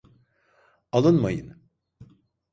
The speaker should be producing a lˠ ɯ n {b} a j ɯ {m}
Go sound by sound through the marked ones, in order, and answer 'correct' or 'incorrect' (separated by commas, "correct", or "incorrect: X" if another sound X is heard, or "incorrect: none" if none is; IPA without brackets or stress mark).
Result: incorrect: m, incorrect: n